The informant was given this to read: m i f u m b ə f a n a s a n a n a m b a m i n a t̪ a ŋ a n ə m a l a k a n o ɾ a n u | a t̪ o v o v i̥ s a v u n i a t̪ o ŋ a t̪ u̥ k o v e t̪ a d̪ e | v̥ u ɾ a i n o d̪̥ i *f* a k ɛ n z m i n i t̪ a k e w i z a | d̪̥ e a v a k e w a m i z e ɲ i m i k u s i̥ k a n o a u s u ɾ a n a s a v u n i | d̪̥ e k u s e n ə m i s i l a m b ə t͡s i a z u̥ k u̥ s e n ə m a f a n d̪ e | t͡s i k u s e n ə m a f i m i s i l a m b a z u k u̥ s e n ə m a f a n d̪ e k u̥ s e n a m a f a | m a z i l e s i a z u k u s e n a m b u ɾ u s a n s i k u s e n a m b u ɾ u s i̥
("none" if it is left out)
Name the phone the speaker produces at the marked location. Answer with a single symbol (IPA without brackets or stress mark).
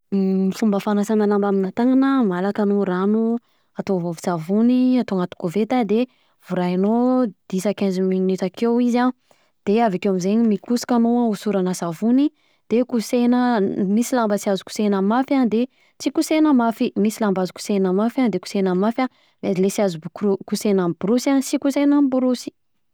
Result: s